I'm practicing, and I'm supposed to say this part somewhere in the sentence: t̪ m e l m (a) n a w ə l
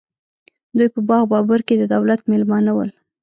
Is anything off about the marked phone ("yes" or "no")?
yes